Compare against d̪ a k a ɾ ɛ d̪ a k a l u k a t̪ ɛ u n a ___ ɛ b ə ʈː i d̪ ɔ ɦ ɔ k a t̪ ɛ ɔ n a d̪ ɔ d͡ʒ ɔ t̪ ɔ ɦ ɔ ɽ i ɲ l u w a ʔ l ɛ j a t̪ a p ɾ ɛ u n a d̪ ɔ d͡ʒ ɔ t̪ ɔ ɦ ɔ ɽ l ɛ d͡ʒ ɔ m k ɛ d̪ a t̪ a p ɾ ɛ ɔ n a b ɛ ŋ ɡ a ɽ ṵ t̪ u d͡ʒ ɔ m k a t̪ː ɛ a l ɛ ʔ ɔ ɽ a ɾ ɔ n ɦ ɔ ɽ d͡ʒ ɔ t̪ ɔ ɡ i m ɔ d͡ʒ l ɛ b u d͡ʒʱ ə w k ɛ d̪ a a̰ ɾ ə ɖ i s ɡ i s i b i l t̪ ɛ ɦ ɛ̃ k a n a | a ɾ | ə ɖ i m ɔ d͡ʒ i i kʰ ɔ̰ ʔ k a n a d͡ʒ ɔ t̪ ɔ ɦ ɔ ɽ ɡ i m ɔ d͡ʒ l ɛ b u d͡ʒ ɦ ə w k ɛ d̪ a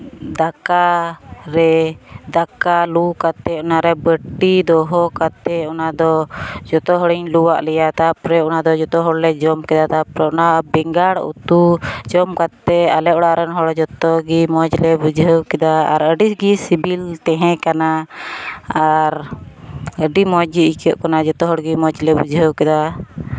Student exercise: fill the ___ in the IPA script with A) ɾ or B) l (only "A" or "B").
A